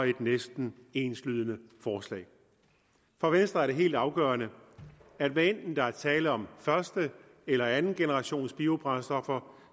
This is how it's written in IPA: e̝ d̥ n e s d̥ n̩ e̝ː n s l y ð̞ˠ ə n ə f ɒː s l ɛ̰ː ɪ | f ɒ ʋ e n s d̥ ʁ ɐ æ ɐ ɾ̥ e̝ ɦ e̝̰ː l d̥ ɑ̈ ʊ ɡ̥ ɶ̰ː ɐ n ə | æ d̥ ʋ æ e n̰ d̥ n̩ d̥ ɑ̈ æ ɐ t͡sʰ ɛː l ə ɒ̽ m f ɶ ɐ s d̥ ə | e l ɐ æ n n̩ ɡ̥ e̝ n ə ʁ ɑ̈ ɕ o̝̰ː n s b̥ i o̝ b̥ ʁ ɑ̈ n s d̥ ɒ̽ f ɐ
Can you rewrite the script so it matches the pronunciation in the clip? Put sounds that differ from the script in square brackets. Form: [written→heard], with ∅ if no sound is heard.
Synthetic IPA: e̝ d̥ n e s d̥ n̩ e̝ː n s l y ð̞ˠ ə n ə f ɒː s l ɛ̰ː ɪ | f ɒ ʋ e n s d̥ ʁ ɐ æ ɐ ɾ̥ e̝ ɦ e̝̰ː l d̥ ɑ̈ ʊ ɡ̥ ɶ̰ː ɐ n ə | æ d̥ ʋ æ e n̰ d̥ n̩ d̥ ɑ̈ æ ɐ t͡sʰ ɛː l ə ɒ̽ m f ɶ ɐ s d̥ ə | e l ɐ æ n n̩ ɡ̥ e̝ n ə ʁ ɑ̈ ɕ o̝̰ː n s b̥ i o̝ b̥ ʁ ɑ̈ n s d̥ ɒ̽ f ɐ